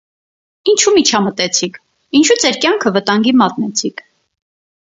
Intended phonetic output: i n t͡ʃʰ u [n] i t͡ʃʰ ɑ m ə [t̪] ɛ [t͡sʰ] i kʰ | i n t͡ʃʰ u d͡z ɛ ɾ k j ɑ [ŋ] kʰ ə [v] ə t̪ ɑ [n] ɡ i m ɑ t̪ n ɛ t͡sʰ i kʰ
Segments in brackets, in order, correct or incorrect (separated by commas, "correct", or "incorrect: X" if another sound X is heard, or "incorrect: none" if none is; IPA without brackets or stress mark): incorrect: m, correct, correct, correct, correct, incorrect: ŋ